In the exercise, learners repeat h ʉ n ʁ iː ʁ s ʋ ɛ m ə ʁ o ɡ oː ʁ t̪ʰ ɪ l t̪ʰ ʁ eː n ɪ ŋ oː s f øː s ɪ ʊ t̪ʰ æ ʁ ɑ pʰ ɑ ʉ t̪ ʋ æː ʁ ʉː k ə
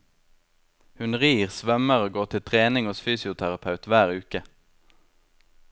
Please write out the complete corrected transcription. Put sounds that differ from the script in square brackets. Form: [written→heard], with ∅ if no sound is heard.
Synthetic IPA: h ʉ n ʁ iː ʁ s ʋ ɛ m ə ʁ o ɡ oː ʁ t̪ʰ ɪ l t̪ʰ ʁ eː n ɪ ŋ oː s f [øː→yː] s ɪ ʊ t̪ʰ æ ʁ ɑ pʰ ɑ ʉ t̪ ʋ æː ʁ ʉː k ə